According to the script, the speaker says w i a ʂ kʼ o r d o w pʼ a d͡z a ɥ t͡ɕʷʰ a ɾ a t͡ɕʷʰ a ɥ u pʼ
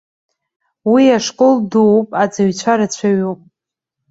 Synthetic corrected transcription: w i a ʂ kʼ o l d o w pʼ a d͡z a ɥ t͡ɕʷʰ a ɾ a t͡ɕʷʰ a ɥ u pʼ

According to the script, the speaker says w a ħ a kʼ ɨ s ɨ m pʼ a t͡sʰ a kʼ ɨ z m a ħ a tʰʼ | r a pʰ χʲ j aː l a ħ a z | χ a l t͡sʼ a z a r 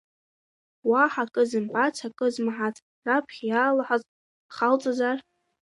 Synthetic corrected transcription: w a ħ a kʼ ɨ z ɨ m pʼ a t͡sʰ a kʼ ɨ z m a ħ a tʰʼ | r a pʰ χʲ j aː l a ħ a z | χ a l t͡sʼ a z a r

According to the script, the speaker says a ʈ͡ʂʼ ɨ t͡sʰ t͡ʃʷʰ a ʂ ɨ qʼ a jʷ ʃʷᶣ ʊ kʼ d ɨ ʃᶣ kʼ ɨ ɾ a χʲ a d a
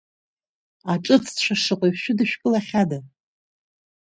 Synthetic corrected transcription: a ʈ͡ʂʼ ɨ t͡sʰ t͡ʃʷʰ a ʂ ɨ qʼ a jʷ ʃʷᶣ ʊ d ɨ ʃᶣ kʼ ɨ l a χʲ a d a

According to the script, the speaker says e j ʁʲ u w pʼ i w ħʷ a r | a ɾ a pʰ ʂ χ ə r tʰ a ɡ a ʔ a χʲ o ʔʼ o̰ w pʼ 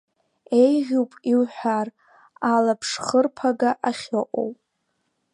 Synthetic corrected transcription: e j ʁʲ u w pʼ i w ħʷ a r | a l a pʰ ʂ χ ə r pʰ a ɡ a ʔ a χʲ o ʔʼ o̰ w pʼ

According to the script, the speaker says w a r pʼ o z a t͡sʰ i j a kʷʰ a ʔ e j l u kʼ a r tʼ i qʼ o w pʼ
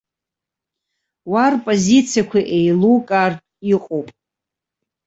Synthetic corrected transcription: w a r pʼ o z i t͡sʰ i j a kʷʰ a ʔ e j l u kʼ a r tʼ i qʼ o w pʼ

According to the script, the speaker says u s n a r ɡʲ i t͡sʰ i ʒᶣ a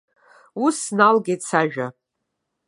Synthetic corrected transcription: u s n a l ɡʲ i t͡sʰ a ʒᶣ a

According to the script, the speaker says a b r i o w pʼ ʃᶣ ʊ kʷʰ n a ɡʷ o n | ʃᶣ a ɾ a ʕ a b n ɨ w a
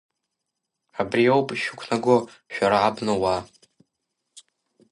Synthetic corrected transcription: a b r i o w pʼ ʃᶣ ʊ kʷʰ n a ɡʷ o | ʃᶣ a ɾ a ʕ a b n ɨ w a

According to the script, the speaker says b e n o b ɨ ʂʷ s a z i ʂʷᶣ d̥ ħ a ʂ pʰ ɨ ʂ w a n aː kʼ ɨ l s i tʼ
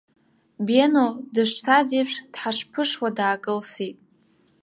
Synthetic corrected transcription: b e n o d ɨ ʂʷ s a z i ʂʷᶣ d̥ ħ a ʂ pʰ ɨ ʂ w a d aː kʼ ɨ l s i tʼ

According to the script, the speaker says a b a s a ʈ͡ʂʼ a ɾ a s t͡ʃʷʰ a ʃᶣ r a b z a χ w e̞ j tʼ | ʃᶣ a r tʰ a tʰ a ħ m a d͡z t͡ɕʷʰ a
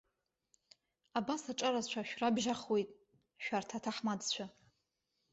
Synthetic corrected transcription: a b a s a ʈ͡ʂʼ a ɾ a z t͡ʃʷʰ a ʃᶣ r a b ʒ a χ w e̞ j tʼ | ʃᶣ a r tʰ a tʰ a ħ m a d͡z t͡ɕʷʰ a

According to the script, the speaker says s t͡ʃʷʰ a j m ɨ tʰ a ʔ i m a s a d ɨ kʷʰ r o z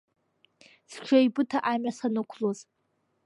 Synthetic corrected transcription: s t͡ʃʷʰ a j b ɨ tʰ a ʔ a m a s a n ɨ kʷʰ l o z

